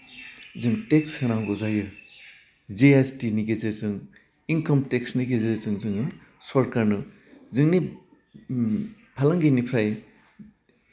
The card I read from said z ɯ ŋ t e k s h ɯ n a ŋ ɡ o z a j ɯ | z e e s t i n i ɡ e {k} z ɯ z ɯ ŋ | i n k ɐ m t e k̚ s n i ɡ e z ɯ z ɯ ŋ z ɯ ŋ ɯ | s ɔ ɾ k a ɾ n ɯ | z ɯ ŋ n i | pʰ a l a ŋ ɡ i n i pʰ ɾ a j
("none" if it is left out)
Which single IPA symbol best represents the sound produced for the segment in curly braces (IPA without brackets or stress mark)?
none